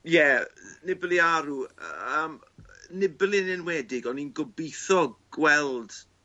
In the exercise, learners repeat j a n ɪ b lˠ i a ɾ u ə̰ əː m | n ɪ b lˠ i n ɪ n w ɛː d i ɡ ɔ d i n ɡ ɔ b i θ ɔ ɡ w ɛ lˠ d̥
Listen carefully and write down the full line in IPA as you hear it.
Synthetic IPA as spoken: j ɛ n ɪ b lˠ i a ɾ u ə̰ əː m | n ɪ b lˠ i n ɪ n w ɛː d ɪ ɡ ɔ n i n ɡ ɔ b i θ ɔ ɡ w ɛ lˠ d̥